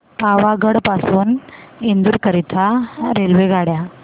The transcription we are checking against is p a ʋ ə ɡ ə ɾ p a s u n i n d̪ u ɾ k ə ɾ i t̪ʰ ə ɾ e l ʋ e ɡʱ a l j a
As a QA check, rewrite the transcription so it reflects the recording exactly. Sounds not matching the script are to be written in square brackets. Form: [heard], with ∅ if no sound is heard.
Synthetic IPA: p a ʋ [a] ɡ ə [ɽ] p a s [uː] n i n d̪ u ɾ k ə ɾ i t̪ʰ [a] ɾ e l ʋ e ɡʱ a [ɽ] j a